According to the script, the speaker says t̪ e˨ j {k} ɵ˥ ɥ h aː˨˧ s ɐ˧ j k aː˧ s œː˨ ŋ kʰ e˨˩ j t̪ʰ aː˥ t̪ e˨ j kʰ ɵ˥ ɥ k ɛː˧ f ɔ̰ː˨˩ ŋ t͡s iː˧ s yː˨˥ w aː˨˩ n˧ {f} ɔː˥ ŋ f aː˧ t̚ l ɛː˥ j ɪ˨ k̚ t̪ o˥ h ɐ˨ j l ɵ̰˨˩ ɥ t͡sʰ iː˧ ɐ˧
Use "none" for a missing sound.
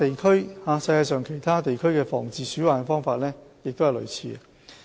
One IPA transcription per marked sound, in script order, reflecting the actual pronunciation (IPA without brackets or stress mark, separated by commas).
kʰ, f